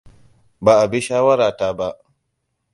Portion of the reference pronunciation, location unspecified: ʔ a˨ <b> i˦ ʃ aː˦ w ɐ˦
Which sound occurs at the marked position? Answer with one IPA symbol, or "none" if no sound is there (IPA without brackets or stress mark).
b